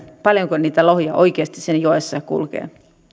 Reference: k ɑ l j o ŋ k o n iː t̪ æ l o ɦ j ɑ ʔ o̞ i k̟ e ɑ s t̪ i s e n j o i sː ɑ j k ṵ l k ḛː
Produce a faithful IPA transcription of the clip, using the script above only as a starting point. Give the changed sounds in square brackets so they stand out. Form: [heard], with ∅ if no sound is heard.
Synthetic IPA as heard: [p] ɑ l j o ŋ k o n iː t̪ æ l o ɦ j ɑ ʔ o̞ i k̟ e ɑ s t̪ i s e n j o [e] sː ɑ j k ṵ l k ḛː